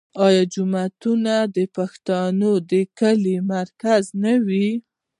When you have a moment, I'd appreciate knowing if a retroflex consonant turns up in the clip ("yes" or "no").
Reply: no